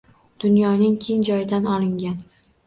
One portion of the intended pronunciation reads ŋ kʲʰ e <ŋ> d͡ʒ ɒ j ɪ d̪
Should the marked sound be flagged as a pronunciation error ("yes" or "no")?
no